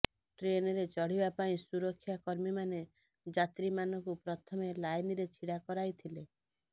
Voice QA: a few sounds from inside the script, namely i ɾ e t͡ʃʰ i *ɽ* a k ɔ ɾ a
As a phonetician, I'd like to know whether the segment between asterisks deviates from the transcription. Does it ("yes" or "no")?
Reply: no